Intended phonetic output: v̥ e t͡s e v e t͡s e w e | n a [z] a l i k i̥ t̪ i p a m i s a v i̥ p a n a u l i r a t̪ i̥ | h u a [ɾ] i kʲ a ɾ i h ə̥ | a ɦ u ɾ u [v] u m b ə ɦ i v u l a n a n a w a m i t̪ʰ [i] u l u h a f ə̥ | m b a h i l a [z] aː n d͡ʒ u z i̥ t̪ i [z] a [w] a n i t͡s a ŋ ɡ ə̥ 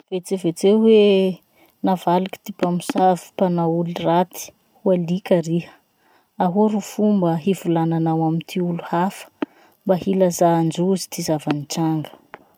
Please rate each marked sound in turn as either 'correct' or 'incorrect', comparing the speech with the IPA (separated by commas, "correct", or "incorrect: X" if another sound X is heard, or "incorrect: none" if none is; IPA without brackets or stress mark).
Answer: incorrect: v, incorrect: l, incorrect: f, correct, correct, correct, incorrect: v